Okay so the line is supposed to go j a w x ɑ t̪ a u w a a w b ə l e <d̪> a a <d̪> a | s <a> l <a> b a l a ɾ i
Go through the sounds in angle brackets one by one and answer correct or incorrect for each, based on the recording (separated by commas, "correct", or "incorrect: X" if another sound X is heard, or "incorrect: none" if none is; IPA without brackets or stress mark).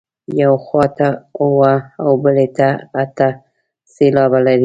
incorrect: t̪, incorrect: t̪, incorrect: e, incorrect: ɑ